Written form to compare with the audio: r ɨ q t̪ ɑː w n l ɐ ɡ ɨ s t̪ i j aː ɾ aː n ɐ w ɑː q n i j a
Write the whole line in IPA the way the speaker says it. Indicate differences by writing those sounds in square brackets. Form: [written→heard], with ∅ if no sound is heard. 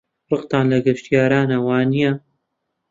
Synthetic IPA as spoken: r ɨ q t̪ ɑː [w→∅] n l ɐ ɡ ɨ [s→ʃ] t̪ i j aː ɾ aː n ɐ w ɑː [q→∅] n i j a